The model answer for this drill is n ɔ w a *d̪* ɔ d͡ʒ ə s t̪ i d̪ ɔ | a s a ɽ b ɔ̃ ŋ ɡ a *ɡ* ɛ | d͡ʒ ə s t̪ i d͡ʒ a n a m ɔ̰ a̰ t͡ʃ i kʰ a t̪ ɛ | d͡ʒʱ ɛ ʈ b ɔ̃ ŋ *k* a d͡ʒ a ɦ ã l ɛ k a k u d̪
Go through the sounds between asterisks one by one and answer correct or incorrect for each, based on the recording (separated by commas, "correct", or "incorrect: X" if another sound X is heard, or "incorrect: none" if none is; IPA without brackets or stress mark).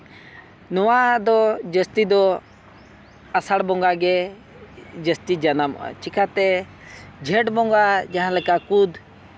correct, correct, incorrect: ɡ